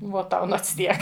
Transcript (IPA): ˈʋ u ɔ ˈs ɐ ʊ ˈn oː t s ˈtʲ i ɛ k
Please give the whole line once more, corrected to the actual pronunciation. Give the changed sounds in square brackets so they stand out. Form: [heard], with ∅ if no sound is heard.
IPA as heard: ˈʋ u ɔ [ˈt] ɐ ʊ ˈn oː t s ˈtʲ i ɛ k